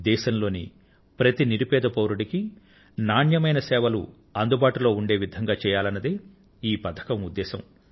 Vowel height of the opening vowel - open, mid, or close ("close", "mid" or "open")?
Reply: mid